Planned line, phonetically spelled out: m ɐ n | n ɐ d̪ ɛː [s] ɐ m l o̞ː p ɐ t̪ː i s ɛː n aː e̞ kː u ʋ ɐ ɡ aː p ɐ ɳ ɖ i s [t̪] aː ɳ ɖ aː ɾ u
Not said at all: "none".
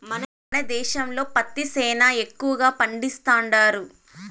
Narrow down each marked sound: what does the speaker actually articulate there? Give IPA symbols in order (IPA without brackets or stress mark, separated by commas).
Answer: ʃ, t̪